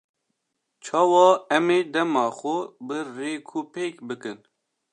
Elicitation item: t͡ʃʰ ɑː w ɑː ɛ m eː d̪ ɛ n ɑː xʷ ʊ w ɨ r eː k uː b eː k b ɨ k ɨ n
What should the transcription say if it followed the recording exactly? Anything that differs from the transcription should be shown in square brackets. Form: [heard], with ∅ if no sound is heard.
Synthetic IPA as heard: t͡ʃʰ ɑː w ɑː ɛ m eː d̪ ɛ [m] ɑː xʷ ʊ [b] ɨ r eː [kʰ] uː [p] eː k b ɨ k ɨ n